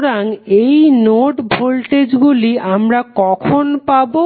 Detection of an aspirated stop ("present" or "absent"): present